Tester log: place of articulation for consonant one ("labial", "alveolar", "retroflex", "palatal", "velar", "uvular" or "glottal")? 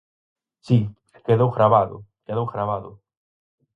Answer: alveolar